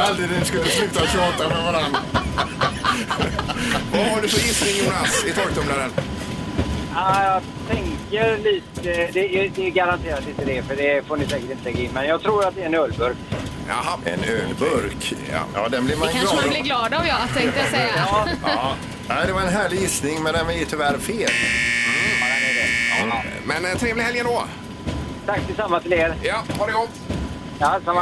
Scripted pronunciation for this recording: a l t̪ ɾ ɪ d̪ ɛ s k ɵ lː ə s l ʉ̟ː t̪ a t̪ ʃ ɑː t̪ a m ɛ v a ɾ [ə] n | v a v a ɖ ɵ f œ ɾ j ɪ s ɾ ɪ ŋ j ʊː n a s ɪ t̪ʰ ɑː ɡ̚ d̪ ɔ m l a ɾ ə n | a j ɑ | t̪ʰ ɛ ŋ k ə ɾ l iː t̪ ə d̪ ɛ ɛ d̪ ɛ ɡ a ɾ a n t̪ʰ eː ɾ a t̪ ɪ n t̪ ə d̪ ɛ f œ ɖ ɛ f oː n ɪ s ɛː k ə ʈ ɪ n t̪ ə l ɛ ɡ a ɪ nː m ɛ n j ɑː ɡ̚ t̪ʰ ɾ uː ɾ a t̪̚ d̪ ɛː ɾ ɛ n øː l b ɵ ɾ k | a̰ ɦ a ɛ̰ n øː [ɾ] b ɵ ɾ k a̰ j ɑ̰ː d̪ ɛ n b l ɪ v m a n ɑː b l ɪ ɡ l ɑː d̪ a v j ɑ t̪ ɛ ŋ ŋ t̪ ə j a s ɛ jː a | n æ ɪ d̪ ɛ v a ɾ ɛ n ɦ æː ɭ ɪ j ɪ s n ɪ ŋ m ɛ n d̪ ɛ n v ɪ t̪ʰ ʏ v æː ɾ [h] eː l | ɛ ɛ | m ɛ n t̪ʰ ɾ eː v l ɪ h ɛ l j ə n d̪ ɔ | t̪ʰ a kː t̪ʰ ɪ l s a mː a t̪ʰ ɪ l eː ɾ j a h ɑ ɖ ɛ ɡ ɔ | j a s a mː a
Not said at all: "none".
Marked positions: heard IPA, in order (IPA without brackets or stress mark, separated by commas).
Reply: a, l, f